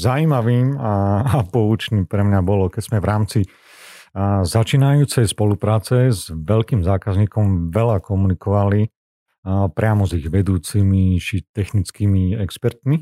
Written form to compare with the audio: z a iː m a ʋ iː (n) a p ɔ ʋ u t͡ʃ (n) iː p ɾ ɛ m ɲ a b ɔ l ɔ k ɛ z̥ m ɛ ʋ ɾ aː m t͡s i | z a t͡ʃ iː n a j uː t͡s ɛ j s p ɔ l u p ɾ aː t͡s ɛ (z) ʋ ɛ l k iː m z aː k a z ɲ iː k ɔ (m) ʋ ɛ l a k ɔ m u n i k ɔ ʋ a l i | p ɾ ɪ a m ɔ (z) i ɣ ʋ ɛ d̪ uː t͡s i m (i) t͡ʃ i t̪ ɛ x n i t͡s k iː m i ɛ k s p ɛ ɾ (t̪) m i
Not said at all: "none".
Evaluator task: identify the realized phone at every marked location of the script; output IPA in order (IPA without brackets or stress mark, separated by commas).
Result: m, n, z, m, z, i, t̪